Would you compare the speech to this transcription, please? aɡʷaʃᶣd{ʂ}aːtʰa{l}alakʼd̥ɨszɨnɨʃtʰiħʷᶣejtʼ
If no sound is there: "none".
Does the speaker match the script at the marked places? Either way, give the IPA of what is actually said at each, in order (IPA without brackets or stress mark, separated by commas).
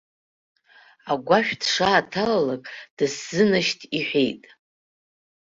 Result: ʂ, l